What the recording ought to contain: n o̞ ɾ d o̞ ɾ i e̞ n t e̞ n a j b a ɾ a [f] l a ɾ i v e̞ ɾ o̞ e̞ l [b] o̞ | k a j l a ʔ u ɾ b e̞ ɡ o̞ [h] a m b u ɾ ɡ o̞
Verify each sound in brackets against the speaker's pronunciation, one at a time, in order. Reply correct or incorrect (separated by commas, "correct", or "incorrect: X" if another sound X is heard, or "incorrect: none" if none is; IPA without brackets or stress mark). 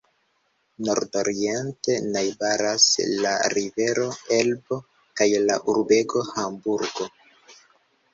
incorrect: s, correct, correct